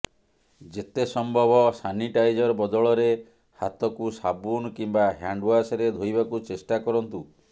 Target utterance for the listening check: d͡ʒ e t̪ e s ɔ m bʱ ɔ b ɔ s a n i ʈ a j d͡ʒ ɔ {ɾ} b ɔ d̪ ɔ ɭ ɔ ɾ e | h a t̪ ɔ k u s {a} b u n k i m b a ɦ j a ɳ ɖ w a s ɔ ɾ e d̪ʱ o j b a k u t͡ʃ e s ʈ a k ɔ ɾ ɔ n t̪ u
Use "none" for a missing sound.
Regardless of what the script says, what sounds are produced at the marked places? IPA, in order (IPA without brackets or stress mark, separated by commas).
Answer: ɾ, a